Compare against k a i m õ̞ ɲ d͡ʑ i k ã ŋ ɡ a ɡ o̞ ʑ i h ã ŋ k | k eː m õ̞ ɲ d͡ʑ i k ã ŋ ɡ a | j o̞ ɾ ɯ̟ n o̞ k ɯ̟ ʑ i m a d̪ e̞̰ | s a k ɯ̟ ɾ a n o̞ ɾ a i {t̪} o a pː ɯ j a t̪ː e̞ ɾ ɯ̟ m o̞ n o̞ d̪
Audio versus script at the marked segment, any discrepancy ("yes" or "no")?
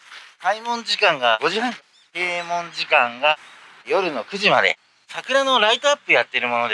no